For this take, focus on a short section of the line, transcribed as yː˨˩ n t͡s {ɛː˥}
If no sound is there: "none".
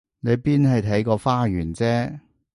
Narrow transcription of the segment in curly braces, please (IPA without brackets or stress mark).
ɛː˥